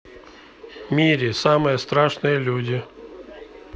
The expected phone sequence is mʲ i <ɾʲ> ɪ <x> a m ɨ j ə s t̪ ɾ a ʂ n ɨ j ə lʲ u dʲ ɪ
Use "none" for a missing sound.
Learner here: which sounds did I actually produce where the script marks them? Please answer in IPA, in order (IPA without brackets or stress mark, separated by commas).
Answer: ɾʲ, s